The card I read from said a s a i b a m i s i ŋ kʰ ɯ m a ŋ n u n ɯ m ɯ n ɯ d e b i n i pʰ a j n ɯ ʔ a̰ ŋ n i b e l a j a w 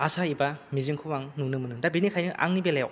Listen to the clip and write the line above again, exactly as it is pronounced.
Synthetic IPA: a s a i b a m i z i ŋ kʰ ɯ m a ŋ n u n ɯ m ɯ n ɯ d a b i n i kʰ a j n ɯ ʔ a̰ ŋ n i b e l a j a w